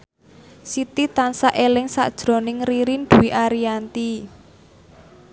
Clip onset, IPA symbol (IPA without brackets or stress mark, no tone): s